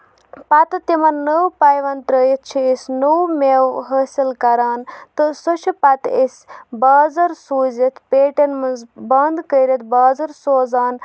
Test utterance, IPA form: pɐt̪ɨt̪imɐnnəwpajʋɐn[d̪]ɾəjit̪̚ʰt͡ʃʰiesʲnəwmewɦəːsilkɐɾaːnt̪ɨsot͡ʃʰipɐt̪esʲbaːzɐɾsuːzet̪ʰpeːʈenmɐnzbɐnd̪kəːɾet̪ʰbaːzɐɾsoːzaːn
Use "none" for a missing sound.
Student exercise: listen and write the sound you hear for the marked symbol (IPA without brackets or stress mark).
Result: t̪